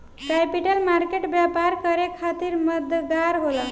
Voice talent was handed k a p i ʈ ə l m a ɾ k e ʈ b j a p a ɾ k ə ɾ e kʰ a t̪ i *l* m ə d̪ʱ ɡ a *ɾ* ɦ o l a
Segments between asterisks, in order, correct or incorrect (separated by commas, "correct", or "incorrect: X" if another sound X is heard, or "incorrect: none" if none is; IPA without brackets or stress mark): incorrect: ɾ, correct